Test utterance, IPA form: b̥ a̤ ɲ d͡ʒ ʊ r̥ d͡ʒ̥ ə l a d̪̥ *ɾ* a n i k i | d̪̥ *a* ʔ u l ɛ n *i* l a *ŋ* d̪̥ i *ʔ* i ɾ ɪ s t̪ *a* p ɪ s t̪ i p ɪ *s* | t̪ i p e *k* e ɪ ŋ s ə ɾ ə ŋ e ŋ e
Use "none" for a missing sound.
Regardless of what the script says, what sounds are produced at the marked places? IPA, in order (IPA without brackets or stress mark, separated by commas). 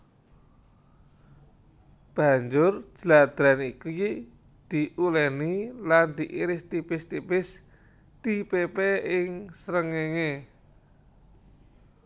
ɾ, i, i, n, ʔ, i, s, p